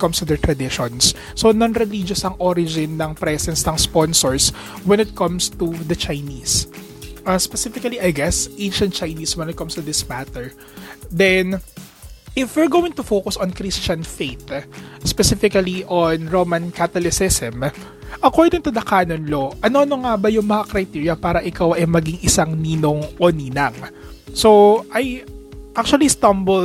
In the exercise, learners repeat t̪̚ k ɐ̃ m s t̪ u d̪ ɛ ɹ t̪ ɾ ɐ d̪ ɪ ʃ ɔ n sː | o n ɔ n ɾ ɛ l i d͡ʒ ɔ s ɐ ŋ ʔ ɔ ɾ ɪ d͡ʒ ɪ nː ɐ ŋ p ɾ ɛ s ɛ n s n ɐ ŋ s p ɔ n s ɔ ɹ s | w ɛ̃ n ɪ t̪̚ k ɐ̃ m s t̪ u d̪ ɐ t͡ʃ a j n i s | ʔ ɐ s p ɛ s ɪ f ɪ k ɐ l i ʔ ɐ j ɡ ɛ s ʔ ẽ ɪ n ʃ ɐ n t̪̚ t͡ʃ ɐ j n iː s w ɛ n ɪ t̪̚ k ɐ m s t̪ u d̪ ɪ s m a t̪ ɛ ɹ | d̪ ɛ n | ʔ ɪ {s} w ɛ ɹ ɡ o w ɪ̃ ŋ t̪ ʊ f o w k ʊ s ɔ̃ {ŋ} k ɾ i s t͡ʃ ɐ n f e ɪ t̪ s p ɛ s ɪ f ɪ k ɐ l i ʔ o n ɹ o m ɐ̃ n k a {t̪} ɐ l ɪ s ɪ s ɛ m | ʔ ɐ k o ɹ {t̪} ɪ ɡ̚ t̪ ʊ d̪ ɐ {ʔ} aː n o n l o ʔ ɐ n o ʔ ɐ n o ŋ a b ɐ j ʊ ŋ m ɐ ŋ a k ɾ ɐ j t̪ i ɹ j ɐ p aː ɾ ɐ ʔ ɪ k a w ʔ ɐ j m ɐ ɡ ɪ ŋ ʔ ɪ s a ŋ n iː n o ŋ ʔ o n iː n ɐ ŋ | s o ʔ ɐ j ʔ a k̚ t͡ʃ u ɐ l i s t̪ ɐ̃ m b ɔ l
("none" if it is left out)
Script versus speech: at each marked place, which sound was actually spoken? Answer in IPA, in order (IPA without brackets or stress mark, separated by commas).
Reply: f, n, t̪, d̪, k